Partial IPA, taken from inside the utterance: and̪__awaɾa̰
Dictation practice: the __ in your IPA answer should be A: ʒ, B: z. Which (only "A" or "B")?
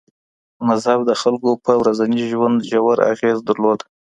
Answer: A